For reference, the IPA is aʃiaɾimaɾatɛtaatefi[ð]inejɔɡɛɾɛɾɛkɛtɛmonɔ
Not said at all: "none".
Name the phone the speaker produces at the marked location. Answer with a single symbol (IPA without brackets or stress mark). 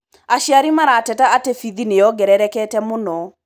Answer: ð